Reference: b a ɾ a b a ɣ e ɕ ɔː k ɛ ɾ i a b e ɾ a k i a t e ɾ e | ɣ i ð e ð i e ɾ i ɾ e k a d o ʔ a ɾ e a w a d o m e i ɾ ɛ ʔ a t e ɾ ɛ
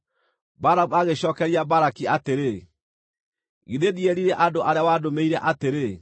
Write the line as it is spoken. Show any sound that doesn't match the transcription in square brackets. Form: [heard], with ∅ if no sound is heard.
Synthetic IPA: b a ɾ a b a ɣ e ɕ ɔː k ɛ ɾ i a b [a] ɾ a k i a t e ɾ e | ɣ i ð e ð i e ɾ i ɾ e [ʔ] a d o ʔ a ɾ e a w a d o m e i ɾ ɛ ʔ a t e ɾ [e]

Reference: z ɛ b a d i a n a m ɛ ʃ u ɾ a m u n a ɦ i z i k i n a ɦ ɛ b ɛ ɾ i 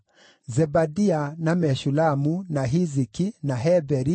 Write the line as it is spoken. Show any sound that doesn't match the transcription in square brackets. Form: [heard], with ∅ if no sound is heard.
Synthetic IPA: z ɛ b a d i a n a m ɛ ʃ u [l] a m u n a ɦ i z i k i n a ɦ ɛ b ɛ ɾ i

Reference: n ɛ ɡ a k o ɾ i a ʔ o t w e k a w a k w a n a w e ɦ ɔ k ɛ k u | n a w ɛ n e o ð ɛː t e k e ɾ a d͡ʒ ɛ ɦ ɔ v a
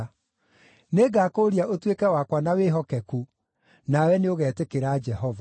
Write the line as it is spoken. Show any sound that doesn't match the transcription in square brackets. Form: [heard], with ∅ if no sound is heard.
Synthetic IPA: n [e] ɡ a k o ɾ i a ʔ o t w e k [ɛ] w a k w a n a w e ɦ ɔ k ɛ k u | n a w ɛ n e o [ɣ] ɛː t e k e ɾ a d͡ʒ ɛ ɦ ɔ v a

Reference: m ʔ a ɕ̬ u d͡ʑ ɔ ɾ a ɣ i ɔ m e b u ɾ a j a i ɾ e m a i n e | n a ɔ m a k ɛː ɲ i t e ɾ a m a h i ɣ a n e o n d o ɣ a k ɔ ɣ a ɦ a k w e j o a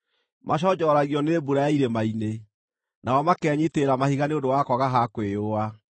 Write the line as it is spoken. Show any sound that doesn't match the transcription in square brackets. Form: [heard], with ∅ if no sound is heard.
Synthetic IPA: m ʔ a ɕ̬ [ɔ] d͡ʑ ɔ ɾ a ɣ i ɔ [n] e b u ɾ a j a i ɾ e m a i n e | n a ɔ m a k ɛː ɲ i t e ɾ a m a h i ɣ a n e o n d o [w] a k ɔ ɣ a ɦ a k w e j o a

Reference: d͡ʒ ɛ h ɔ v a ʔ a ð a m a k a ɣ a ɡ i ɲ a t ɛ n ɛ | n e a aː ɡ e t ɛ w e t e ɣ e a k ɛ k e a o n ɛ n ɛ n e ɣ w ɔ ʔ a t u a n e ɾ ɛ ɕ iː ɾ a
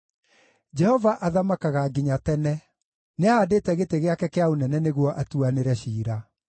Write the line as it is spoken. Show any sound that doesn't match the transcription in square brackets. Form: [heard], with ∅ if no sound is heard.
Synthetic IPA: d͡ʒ ɛ h ɔ v a ʔ a ð a m a k a ɣ a ɡ i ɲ a t ɛ n ɛ | n e a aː [d] e t ɛ [ɣ] e t e ɣ e a k ɛ k e a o n ɛ n ɛ n e ɣ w ɔ ʔ a t u a n e ɾ ɛ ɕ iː ɾ a

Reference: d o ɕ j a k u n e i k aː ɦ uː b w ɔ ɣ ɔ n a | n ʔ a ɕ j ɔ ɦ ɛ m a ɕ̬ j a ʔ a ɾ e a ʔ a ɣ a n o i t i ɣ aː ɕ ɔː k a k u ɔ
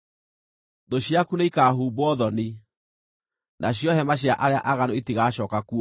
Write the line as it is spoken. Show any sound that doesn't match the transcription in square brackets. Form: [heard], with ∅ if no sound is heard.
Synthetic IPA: d o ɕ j a k u n e i k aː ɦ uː b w ɔ [ð] ɔ n [i] | n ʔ a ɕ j ɔ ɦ ɛ m a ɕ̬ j a ʔ a ɾ e a ʔ a ɣ a n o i t i ɣ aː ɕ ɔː k a k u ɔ

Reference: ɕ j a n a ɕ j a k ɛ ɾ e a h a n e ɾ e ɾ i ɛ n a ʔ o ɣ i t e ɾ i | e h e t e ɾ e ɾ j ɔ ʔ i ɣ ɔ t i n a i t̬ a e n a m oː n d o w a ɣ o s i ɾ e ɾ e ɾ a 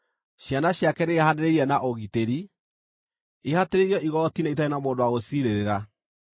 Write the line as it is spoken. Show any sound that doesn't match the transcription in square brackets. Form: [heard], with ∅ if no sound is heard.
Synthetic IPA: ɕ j a n a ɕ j a k ɛ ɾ e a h a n e ɾ e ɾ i ɛ n a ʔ o ɣ i t e ɾ i | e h [a] t e ɾ e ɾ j ɔ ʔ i ɣ ɔ t i n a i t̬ a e n a m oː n d o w a ɣ o s i ɾ e ɾ e ɾ a

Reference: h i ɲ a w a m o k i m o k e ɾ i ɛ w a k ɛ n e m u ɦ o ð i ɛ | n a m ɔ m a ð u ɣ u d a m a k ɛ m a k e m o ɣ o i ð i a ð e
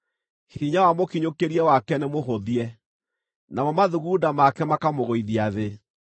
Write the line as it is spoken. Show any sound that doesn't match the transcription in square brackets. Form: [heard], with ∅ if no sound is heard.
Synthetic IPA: h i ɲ a w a m o k i [ɲ] o k e ɾ i ɛ w a k ɛ n e m [o] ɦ o ð i ɛ | n a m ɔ m a ð u ɣ u d a m a k ɛ m a k [a] m o ɣ o i ð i a ð e

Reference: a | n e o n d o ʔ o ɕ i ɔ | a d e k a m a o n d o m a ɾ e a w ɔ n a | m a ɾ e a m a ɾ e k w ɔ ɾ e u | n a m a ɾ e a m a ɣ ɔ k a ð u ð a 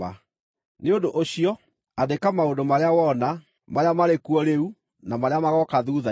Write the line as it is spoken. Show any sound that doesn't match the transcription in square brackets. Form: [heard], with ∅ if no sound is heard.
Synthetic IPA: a | n e o n d o ʔ o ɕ i ɔ | a d e k a m a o n d o m a ɾ e a w ɔ n a | m a ɾ e a m a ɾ e k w ɔ ɾ e u | n a m a ɾ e a m a ɣ ɔ k a ð u ð a

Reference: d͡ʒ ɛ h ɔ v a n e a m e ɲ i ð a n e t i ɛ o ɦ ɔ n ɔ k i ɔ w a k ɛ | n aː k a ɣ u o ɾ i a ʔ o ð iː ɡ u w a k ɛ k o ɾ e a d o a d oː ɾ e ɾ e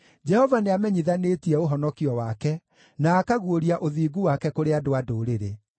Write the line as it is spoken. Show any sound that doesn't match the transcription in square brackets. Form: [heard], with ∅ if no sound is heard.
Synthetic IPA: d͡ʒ ɛ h ɔ v a n e a m [ɛ] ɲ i ð a n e t i ɛ o ɦ ɔ n ɔ k i ɔ w a k ɛ | n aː k a ɣ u o ɾ i a ʔ o ð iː ɡ u w a k ɛ k o ɾ e a d o a d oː ɾ e ɾ e

